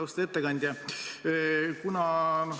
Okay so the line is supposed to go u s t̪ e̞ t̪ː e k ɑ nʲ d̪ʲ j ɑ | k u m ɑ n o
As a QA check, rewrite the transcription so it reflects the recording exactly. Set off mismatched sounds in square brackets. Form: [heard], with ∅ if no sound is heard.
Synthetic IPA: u s t̪ e̞ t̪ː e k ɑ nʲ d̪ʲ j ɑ | k u [n] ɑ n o